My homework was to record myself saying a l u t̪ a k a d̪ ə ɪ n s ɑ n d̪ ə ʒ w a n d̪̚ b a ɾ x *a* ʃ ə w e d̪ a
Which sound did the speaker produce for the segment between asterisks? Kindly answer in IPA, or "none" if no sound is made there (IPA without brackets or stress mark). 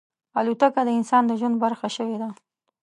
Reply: a